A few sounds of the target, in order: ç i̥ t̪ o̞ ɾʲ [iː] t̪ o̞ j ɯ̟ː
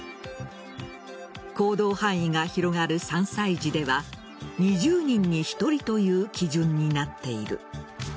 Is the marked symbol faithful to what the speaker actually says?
no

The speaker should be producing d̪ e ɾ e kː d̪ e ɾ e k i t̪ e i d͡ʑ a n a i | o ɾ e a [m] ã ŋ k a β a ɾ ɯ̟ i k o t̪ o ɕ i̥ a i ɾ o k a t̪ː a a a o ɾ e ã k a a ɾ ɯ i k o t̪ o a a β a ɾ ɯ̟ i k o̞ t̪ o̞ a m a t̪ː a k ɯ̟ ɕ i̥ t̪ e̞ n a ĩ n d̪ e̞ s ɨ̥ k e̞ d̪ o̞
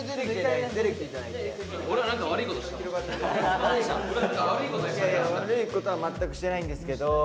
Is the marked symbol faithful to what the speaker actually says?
no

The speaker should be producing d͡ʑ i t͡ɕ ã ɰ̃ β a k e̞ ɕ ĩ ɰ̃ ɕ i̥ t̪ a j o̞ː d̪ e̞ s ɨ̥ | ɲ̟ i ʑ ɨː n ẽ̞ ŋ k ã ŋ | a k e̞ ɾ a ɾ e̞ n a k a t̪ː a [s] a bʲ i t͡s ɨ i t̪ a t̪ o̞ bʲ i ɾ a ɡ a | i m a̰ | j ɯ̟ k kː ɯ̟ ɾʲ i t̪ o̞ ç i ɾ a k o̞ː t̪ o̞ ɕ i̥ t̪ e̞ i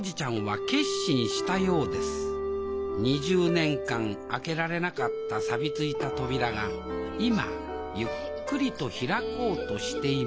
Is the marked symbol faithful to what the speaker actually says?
yes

